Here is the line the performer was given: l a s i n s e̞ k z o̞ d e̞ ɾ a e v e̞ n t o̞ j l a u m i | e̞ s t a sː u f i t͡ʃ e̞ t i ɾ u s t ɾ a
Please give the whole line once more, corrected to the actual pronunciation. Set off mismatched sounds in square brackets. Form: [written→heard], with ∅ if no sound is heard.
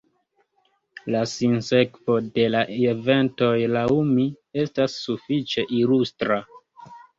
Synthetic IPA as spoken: l a s i n s e̞ k [z→v] o̞ d e̞ [ɾ→l] a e v e̞ n t o̞ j l a u m i | e̞ s t a sː u f i t͡ʃ e̞ [t→ʔ] i [ɾ→l] u s t ɾ a